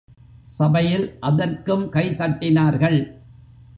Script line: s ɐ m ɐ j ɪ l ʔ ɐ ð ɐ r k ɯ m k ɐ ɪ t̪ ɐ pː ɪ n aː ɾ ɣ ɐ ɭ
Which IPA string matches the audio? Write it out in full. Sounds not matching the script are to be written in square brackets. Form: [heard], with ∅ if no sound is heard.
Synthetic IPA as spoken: s ɐ [b] ɐ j ɪ l ʔ ɐ ð ɐ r k ɯ m k ɐ ɪ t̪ ɐ [ʈː] ɪ n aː ɾ ɣ ɐ ɭ